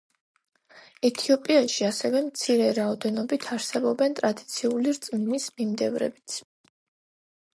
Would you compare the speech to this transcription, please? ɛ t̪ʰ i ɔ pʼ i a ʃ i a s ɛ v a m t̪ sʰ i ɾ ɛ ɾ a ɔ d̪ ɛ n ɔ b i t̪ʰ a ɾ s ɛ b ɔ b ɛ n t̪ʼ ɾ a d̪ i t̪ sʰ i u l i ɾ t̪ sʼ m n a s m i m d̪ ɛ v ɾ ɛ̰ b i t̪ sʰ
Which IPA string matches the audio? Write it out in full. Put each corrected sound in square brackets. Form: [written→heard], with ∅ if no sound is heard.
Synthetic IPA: ɛ t̪ʰ i ɔ pʼ i a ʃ i a s ɛ v [a→ɛ] m t̪ sʰ i ɾ ɛ ɾ a ɔ d̪ ɛ n ɔ b i t̪ʰ a ɾ s ɛ b ɔ b ɛ n t̪ʼ ɾ a d̪ i t̪ sʰ i u l i ɾ t̪ sʼ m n [a→i] s m i m d̪ ɛ v ɾ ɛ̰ b i t̪ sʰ